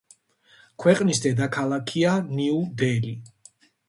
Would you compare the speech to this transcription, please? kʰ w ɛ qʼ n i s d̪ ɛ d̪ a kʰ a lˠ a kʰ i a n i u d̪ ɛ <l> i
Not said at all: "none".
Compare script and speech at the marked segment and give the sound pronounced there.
l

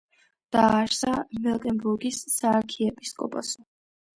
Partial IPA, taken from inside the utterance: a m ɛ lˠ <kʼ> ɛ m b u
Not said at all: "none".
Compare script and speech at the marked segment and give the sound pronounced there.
kʼ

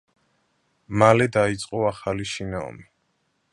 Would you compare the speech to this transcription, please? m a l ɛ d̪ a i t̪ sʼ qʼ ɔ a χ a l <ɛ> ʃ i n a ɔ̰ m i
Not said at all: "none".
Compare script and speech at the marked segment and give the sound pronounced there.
i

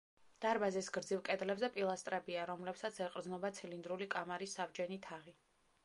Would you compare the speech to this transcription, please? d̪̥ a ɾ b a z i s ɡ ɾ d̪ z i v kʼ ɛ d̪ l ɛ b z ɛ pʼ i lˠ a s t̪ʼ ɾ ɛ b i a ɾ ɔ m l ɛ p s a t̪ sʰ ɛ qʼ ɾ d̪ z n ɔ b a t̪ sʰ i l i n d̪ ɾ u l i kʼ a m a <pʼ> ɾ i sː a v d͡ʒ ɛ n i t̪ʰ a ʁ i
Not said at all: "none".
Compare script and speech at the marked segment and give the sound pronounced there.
none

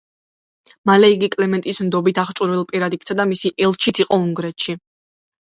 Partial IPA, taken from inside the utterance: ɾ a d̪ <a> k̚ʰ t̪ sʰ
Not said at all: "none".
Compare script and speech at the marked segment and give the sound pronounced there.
i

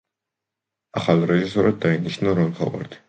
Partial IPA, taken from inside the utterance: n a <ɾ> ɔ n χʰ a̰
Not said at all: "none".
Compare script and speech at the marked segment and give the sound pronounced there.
ɾ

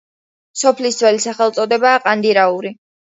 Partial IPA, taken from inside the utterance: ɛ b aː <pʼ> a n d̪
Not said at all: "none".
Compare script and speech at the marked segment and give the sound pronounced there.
qʼ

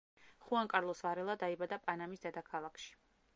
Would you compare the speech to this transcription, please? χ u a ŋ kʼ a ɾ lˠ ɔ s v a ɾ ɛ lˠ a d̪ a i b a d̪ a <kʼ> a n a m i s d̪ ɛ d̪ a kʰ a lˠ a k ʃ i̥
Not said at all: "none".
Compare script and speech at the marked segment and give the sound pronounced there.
pʼ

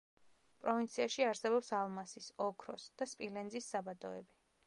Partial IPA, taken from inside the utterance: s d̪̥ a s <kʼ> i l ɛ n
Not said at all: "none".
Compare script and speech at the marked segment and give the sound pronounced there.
pʼ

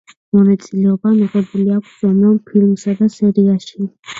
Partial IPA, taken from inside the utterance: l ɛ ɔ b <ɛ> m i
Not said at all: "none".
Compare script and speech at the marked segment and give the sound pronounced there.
a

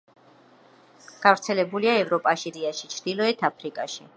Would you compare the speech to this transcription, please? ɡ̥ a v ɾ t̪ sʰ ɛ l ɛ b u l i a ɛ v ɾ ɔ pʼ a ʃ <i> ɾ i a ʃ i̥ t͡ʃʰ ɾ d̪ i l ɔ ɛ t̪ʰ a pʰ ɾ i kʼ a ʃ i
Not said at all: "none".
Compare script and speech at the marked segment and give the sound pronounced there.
i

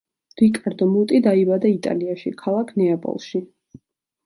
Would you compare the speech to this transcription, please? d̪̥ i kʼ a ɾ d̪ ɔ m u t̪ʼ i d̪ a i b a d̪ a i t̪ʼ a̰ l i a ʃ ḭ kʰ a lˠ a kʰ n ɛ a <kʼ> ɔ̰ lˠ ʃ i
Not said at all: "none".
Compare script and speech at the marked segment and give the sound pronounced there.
pʼ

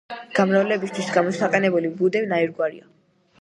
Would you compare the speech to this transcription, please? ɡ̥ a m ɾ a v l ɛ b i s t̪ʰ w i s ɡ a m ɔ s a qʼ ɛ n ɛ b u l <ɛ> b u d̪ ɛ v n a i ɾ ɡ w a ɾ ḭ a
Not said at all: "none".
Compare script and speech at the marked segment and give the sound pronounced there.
i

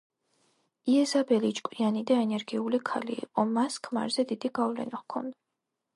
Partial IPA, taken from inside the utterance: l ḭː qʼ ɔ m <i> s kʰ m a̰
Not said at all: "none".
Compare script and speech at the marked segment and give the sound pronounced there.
a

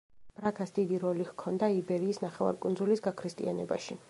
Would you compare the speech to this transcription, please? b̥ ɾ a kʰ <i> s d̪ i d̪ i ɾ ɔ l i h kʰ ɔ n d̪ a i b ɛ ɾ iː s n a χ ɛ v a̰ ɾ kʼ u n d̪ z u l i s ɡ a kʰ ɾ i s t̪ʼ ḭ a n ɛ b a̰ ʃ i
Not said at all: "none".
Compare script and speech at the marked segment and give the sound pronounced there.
a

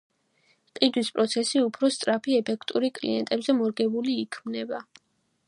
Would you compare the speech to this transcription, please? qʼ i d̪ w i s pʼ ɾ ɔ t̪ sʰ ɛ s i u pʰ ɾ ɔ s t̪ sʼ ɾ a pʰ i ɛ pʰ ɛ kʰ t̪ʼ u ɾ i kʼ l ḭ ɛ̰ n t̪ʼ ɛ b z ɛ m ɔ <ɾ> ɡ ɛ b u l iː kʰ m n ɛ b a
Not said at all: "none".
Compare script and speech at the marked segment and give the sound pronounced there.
ɾ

